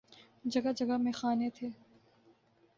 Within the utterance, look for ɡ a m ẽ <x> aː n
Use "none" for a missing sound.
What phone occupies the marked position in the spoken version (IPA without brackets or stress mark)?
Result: x